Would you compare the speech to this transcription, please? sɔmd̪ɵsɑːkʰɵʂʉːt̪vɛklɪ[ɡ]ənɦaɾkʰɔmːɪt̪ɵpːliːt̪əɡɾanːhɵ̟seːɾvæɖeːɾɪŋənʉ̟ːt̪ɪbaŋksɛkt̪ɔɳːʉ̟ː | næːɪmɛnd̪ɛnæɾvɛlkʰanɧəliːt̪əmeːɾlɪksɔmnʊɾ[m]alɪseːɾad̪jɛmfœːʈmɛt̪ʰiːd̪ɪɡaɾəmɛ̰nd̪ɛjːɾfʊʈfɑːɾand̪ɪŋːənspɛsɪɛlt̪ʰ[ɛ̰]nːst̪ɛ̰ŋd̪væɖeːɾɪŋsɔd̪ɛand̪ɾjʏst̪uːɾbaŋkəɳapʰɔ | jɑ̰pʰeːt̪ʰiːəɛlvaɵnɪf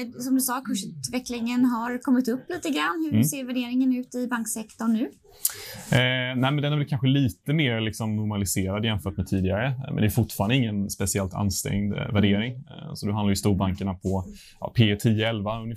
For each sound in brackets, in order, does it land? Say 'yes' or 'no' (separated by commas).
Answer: no, yes, no